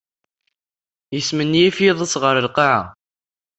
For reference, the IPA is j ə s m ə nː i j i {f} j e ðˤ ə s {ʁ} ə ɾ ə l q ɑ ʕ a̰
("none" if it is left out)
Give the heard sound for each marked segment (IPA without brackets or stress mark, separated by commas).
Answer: f, ʁ